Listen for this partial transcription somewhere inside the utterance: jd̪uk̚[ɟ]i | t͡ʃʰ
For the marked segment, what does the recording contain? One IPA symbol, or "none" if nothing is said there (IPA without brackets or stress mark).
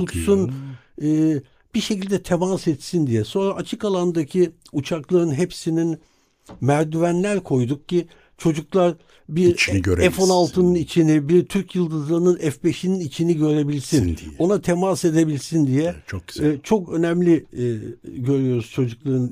c